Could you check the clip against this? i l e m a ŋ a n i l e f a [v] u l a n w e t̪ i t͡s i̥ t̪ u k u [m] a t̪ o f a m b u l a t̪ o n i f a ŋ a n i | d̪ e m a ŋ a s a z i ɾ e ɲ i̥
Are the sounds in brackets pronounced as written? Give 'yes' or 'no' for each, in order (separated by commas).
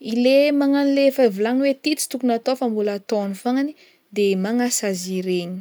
yes, no